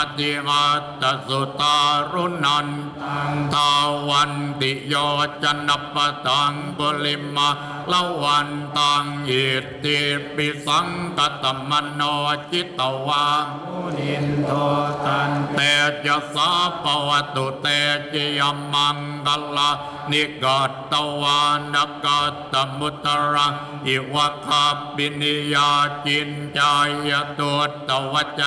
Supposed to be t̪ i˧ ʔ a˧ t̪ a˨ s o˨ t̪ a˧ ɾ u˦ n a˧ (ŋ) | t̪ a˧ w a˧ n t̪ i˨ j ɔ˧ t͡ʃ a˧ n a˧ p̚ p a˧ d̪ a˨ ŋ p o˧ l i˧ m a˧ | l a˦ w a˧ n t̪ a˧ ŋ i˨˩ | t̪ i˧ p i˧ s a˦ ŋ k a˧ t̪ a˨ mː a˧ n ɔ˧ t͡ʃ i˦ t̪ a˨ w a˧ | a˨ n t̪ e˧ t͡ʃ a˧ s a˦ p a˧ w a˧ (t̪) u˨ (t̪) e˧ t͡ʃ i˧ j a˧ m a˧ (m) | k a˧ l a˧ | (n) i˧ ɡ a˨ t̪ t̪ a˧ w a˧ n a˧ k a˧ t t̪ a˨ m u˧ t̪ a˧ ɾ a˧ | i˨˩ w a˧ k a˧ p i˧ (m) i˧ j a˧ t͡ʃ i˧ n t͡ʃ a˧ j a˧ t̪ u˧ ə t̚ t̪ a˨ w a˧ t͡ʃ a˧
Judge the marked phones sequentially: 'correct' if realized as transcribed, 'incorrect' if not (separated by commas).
incorrect, correct, correct, incorrect, correct, incorrect